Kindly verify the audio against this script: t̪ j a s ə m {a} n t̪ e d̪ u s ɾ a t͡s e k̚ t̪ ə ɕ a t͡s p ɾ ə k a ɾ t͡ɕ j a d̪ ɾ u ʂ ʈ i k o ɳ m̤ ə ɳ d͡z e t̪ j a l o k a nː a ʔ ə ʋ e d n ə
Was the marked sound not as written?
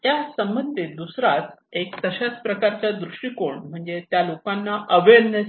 yes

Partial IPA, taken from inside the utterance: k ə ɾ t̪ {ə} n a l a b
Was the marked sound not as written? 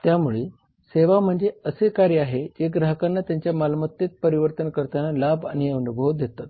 yes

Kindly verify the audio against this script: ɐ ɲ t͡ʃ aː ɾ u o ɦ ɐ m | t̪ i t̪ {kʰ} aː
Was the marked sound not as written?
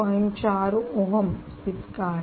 yes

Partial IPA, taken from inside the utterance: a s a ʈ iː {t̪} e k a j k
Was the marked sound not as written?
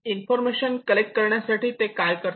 no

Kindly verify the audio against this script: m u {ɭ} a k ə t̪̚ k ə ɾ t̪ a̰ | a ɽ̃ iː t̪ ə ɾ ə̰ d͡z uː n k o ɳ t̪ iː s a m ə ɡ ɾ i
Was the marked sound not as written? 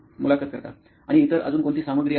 yes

